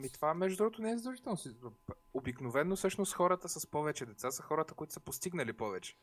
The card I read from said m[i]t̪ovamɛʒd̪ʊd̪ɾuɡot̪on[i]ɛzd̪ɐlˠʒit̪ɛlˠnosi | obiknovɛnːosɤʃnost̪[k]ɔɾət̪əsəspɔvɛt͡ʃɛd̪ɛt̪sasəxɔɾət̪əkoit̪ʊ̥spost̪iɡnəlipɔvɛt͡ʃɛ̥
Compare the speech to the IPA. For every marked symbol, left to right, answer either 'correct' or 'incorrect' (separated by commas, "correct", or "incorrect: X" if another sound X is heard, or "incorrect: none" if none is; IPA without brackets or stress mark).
correct, incorrect: ɛ, incorrect: x